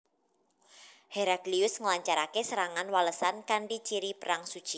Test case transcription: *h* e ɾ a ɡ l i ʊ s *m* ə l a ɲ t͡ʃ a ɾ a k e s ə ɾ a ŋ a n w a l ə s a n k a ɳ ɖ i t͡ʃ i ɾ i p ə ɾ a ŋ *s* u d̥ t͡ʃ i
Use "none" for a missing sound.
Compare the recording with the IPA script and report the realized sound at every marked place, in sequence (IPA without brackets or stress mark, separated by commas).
h, ŋ, s